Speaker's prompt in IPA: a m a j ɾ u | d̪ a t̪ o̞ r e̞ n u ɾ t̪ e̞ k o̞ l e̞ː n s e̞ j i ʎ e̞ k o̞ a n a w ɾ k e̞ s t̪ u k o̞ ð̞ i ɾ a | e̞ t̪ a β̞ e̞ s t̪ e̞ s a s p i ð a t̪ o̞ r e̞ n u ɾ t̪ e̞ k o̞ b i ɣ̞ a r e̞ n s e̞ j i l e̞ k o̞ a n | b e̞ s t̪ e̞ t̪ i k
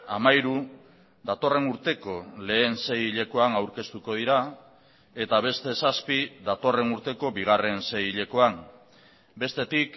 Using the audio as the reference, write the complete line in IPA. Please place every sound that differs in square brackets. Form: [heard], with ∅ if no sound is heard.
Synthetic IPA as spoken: a m a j ɾ u | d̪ a t̪ o̞ r e̞ n u ɾ t̪ e̞ k o̞ l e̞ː n s e̞ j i ʎ e̞ k o̞ a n a w ɾ k e̞ s t̪ u k o̞ ð̞ i ɾ a | e̞ t̪ a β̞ e̞ s t̪ e̞ s a s p i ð a t̪ o̞ r e̞ n u ɾ t̪ e̞ k o̞ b i ɣ̞ a r e̞ n s e̞ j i [ʎ] e̞ k o̞ a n | b e̞ s t̪ e̞ t̪ i k